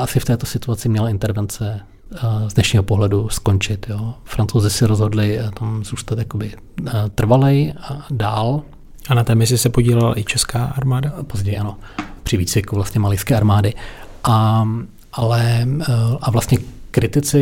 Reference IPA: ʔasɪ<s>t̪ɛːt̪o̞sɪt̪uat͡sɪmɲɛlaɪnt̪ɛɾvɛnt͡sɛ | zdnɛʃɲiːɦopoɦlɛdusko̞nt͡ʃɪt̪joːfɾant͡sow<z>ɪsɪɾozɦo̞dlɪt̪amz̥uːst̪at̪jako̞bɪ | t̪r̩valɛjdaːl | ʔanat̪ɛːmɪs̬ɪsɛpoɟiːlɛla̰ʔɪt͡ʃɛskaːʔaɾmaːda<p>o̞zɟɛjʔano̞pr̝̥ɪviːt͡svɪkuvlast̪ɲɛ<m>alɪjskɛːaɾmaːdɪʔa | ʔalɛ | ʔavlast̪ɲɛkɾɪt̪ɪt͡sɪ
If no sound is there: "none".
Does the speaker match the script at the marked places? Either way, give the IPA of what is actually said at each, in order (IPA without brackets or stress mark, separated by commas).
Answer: f, z, p, m